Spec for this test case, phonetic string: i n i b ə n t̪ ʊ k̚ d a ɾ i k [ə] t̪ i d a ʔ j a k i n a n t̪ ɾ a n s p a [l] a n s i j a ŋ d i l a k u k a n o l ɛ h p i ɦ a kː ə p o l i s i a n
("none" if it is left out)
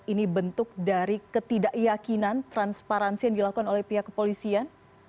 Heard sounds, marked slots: ə, ɾ

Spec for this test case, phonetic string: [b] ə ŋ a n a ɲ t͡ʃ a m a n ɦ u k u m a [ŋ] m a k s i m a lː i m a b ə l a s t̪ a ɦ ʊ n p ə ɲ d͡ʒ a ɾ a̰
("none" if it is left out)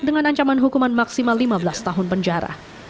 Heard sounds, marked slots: d, n

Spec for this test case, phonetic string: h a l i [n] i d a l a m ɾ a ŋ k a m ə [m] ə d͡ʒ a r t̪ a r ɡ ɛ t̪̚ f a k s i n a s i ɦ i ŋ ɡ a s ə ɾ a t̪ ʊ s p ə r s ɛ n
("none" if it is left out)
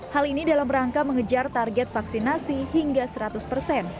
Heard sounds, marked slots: n, ŋ

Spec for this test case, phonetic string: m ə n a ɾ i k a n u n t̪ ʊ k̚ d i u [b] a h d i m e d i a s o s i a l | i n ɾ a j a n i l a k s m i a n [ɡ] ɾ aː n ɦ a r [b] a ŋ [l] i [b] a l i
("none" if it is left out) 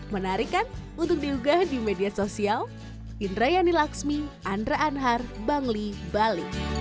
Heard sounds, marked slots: ɡ, d, b, l, b

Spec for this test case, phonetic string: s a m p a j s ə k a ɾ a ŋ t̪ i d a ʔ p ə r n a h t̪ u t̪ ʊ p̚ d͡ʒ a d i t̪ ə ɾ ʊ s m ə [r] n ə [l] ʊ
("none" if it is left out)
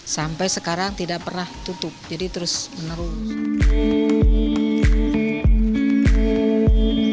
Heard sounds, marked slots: none, ɾ

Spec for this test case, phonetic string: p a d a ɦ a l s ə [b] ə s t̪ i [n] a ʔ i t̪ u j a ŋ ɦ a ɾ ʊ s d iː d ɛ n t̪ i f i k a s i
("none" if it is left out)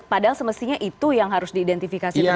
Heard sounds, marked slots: m, ɲ

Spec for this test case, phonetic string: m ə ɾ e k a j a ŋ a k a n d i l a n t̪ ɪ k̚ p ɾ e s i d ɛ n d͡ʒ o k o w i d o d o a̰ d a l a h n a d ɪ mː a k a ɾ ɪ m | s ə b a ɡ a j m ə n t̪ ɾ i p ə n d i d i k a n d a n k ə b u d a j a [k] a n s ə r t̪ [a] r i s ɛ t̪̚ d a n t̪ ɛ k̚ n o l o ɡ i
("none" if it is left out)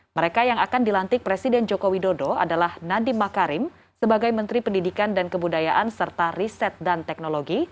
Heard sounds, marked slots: ʔ, a

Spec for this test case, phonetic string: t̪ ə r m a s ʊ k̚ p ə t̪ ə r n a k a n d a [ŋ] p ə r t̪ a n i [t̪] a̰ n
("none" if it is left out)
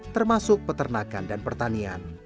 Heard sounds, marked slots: n, none

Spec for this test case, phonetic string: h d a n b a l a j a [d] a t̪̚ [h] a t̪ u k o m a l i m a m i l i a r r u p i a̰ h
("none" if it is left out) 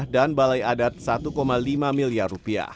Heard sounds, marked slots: d, s

